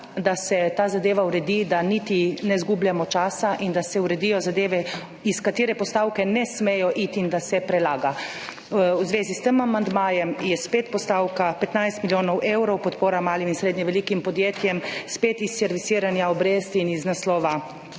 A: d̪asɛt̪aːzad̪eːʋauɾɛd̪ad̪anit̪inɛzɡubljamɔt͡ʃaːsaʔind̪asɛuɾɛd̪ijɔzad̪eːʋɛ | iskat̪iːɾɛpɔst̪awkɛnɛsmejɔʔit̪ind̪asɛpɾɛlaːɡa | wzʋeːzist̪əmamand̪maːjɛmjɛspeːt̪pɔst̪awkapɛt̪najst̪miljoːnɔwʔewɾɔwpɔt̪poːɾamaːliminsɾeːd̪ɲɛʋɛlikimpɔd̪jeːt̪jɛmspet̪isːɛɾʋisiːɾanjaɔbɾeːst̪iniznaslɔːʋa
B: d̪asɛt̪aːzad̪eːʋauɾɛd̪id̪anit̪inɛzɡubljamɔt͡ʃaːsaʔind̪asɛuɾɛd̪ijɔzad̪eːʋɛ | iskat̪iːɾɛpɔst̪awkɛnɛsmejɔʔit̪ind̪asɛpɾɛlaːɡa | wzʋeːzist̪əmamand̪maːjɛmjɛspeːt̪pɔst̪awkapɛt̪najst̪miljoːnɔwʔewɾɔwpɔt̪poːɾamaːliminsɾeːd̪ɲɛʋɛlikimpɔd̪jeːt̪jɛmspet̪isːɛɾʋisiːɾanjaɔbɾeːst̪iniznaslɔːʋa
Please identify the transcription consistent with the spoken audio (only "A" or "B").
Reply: B